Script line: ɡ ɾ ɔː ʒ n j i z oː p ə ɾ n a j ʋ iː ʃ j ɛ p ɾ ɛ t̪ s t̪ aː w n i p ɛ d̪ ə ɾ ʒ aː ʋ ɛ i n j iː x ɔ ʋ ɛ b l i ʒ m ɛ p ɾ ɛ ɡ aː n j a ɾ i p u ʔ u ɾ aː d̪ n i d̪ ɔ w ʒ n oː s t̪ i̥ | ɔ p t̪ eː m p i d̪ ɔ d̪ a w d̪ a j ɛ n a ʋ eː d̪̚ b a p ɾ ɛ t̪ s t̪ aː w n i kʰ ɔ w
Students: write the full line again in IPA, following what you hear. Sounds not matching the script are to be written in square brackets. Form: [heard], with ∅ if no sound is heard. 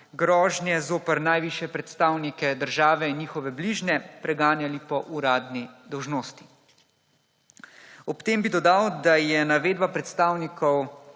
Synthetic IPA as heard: ɡ ɾ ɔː ʒ n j [ɛ] z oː p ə ɾ n a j ʋ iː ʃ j ɛ p ɾ ɛ t̪ s t̪ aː w n i [k] ɛ d̪ ə ɾ ʒ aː ʋ ɛ i n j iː x ɔ ʋ ɛ b l i ʒ [n] ɛ p ɾ ɛ ɡ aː n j a [l] i p [ɔ] ʔ u ɾ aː d̪ n i d̪ ɔ w ʒ n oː s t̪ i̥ | ɔ p t̪ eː m [b] i d̪ ɔ d̪ a w d̪ a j ɛ n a ʋ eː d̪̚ b a p ɾ ɛ t̪ s t̪ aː w n i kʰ ɔ w